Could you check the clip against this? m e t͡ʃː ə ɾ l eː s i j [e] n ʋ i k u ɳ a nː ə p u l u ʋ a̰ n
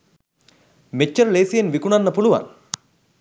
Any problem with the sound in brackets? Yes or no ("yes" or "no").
no